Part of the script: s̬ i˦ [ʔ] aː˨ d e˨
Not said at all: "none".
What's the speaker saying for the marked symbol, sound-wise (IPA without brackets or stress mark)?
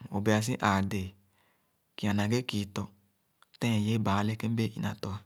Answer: ʔ